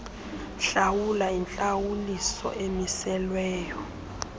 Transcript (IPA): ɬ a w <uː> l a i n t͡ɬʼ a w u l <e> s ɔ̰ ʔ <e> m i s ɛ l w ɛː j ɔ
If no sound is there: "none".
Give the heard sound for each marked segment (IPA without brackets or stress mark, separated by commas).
u, i, e